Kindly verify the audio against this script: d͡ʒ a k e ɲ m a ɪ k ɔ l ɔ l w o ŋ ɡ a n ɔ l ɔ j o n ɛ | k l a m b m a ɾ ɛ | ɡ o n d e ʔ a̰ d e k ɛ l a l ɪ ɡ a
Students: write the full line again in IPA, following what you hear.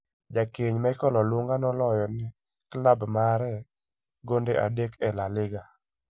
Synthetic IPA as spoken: d͡ʒ a k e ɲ m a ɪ k ɔ l ɔ l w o ŋ ɡ a n ɔ l ɔ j ɔ n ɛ | k l a b m a ɾ ɛ | ɡ o n d e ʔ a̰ d e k ɛ l a l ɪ ɡ a